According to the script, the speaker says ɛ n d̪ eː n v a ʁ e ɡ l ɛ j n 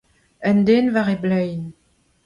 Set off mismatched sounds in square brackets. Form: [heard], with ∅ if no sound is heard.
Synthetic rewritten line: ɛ n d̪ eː n v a ʁ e [b] l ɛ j n

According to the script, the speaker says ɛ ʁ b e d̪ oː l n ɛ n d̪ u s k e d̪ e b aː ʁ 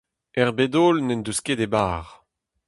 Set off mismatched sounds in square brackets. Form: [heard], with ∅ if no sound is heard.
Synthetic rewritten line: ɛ ʁ b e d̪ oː l n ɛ n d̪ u s k e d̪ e b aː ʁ

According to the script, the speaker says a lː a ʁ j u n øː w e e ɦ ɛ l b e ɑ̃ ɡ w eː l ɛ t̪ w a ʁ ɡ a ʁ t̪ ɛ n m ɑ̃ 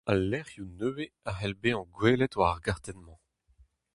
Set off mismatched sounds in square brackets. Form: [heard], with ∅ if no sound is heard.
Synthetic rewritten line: a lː [ɛ] ʁ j u n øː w e [a] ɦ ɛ l b e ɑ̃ ɡ w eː l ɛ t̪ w a ʁ ɡ a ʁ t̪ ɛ n m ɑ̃

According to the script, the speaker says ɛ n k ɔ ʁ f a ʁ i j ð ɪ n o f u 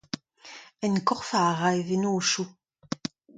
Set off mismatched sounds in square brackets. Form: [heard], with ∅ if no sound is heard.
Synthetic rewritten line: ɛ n k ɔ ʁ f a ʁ [a] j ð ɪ n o [ʃ] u

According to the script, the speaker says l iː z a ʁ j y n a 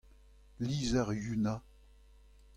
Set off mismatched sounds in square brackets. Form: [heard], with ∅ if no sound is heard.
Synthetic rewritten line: l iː z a ʁ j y n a

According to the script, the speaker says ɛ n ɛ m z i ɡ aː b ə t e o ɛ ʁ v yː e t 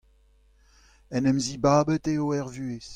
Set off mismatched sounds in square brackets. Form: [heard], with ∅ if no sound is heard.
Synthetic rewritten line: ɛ n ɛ m z i [b] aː b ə t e o ɛ ʁ v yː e [s]

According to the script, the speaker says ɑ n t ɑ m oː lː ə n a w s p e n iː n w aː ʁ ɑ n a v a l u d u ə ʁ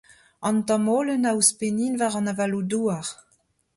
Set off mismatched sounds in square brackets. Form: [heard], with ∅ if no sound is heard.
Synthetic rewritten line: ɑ n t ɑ m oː [l] ə n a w s p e n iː n [v] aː ʁ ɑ n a v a l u d u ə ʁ

